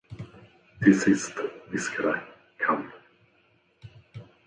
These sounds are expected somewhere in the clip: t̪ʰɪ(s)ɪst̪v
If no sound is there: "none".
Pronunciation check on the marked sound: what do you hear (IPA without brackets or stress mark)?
s